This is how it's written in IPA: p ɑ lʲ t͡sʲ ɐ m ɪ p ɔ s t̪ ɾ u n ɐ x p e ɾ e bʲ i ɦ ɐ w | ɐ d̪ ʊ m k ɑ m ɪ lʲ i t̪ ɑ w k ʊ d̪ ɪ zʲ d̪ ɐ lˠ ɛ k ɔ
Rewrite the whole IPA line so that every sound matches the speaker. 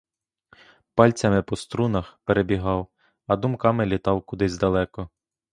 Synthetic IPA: p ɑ lʲ t͡sʲ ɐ m ɪ p ɔ s t̪ ɾ u n ɐ x p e ɾ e bʲ i ɦ ɑ w | ɐ d̪ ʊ m k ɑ m ɪ lʲ i t̪ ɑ w k ʊ d̪ ɪ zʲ d̪ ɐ lˠ ɛ k ɔ